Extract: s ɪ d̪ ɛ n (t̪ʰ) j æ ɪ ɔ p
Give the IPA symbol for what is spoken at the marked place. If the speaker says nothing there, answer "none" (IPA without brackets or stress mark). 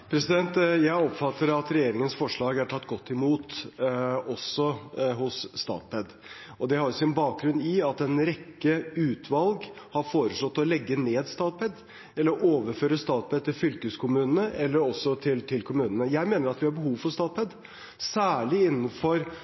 t̪